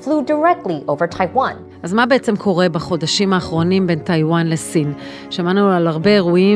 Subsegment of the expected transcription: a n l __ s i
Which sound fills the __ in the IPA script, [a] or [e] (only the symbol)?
e